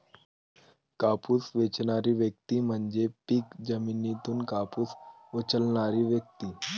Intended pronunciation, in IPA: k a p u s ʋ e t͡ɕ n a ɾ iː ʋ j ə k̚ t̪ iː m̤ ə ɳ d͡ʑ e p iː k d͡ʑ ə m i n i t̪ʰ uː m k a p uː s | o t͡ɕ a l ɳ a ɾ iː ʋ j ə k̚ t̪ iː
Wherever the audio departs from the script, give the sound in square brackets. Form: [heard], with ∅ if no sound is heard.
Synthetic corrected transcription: k a p u s ʋ e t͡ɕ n a ɾ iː ʋ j ə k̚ t̪ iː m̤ ə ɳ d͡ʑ e p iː k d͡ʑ ə m i n i [t̪] uː [n] k a p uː s | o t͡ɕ [ə] l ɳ a ɾ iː ʋ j ə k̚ t̪ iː